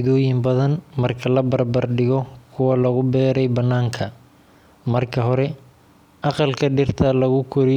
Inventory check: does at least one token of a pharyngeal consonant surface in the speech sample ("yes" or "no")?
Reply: no